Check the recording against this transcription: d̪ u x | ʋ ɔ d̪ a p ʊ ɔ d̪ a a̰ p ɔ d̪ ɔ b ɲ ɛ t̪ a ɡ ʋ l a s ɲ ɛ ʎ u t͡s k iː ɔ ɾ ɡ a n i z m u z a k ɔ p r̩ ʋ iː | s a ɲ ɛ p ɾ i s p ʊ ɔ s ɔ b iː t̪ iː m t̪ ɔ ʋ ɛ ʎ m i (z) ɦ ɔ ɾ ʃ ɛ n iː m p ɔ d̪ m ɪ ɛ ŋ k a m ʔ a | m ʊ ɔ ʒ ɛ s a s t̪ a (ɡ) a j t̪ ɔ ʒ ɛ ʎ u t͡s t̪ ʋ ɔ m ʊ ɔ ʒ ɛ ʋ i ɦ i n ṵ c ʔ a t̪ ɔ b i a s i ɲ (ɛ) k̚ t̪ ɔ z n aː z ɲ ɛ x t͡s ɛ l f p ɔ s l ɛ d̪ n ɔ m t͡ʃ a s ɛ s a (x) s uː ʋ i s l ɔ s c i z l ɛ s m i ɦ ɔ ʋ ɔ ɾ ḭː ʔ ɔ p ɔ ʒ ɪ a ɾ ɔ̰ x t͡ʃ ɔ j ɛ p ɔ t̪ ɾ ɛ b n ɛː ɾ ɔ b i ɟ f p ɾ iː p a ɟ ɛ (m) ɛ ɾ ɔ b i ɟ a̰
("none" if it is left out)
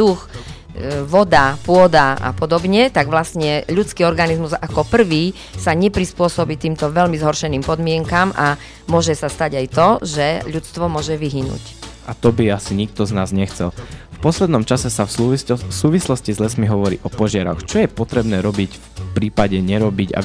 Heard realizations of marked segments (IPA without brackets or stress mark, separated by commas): z, ɟ, i, f, ɲ